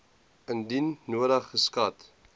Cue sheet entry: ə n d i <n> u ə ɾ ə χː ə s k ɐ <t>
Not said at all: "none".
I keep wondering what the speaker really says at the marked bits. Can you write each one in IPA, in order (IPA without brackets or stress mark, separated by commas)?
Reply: nː, t